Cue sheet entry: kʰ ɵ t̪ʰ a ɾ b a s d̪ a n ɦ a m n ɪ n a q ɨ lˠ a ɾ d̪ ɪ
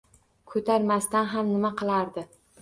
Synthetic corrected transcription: kʰ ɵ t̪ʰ a ɾ m a s t̪ a n ɦ a m n ɪ m a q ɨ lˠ a ɾ d̪ ɪ

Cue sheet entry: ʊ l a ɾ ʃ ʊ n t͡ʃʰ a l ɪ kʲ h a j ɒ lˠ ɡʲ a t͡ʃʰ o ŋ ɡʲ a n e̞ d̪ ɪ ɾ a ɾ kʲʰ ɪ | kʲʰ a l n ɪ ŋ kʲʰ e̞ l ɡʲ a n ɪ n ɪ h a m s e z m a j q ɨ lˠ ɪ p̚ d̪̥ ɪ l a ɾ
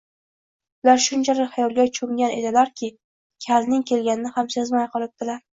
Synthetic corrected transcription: ʊ l a ɾ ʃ ʊ n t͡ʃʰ a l ɪ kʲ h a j ɒ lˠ ɡʲ a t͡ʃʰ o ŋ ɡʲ a n e̞ d̪ ɪ l a ɾ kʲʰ ɪ | kʲʰ a l n ɪ ŋ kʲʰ e̞ l ɡʲ a n ɪ n ɪ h a m s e z m a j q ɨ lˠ ɪ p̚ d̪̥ ɪ l a ɾ

